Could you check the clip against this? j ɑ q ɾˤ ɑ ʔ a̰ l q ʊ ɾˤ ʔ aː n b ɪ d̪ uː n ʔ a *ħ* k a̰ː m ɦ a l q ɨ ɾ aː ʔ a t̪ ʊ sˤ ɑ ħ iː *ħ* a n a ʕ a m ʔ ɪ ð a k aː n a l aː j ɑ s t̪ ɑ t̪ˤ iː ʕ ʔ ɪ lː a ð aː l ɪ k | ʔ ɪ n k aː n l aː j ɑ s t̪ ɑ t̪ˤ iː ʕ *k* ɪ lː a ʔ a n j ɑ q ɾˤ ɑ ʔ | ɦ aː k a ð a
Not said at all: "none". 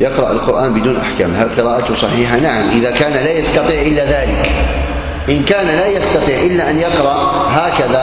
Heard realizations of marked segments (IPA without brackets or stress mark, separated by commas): ħ, ħ, ʔ